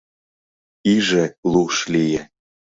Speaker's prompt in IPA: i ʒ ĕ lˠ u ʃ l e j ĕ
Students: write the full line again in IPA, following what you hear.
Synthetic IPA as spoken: i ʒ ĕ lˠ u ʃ l i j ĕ